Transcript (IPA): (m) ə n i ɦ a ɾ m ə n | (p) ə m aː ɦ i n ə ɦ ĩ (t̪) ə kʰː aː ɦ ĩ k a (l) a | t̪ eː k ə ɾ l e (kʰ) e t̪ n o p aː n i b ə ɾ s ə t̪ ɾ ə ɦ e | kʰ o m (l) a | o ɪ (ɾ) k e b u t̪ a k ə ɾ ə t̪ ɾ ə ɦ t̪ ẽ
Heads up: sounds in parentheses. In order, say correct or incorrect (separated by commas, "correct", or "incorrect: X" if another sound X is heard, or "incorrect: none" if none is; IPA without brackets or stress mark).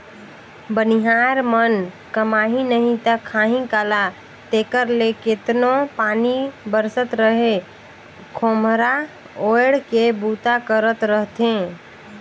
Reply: incorrect: b, incorrect: k, correct, correct, incorrect: k, incorrect: ɾ, incorrect: ɽ